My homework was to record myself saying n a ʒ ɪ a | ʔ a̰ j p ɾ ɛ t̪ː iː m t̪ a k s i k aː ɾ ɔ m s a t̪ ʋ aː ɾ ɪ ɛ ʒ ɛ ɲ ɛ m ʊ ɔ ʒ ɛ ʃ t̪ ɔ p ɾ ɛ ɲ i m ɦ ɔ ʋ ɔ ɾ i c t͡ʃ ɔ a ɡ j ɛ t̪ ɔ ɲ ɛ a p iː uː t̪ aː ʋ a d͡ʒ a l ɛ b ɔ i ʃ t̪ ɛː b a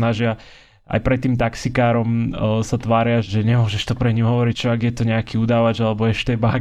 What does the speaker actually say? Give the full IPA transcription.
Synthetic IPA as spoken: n a ʒ ɪ a | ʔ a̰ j p ɾ ɛ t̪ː iː m t̪ a k s i k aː ɾ ɔ m s a t̪ ʋ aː ɾ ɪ a ʒ ɛ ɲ ɛ m ʊ ɔ ʒ ɛ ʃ t̪ ɔ p ɾ ɛ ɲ i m ɦ ɔ ʋ ɔ ɾ i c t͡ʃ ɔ a ɡ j ɛ t̪ ɔ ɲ ɛ a k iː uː d̪ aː ʋ a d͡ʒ a l ɛ b ɔ ɛ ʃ t̪ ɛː b a